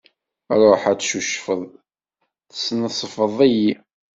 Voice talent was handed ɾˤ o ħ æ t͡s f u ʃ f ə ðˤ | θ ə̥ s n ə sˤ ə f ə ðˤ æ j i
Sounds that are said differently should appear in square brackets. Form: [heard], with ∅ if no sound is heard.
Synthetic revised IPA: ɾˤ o ħ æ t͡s [ʃ] u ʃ f ə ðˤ | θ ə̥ s n ə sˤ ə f ə ðˤ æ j i